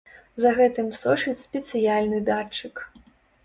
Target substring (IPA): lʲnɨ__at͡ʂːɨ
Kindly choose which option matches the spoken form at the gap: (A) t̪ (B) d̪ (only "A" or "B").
B